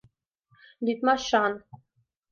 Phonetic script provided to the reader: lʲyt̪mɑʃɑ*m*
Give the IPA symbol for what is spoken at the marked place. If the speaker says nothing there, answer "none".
n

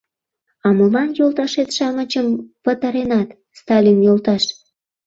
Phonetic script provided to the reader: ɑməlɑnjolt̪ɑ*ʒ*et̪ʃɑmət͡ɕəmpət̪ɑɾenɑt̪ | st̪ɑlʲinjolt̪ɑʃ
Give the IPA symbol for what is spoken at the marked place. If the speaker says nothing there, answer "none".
ʃ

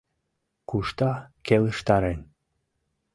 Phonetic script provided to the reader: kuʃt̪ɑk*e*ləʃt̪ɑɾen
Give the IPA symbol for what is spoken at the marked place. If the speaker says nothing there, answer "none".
e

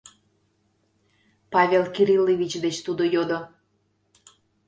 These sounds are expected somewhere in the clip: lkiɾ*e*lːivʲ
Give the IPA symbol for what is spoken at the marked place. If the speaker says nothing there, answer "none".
i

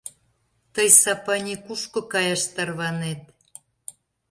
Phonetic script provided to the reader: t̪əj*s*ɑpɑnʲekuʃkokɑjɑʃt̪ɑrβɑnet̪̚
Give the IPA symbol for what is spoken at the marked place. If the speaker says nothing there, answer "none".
s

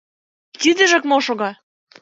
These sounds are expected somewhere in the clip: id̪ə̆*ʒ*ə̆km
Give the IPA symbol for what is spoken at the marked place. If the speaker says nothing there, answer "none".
ʒ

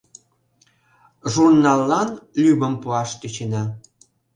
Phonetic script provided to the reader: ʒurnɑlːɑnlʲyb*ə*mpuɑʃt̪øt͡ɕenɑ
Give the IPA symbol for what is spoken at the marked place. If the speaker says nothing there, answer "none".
ə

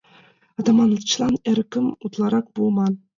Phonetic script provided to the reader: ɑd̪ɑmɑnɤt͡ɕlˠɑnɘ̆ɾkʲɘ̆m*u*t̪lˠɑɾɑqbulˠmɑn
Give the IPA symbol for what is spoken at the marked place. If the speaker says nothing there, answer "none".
u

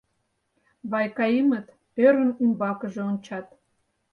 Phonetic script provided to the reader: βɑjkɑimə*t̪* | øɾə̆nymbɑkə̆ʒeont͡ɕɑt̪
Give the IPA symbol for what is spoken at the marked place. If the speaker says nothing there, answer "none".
t̪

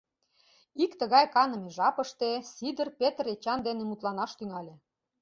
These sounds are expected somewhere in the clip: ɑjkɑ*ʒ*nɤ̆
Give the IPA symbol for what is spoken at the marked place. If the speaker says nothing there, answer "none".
none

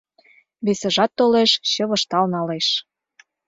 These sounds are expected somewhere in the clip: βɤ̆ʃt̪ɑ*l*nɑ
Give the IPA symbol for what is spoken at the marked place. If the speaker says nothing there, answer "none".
l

